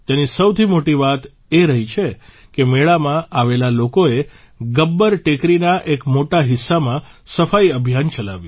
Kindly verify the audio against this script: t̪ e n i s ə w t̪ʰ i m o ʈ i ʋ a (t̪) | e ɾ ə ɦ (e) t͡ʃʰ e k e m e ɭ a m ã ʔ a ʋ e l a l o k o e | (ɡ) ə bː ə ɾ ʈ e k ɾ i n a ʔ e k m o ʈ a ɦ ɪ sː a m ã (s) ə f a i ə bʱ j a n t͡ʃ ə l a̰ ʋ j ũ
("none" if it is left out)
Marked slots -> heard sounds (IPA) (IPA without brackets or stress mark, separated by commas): t̪, i, ɡ, s